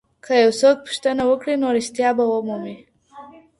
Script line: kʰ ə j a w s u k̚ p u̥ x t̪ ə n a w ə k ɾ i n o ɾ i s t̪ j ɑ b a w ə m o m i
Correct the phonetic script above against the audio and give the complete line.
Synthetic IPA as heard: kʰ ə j a w s o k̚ p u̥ ʃ t̪ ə n a w ə k ɽ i n o ɾ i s t̪ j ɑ b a w ə m u m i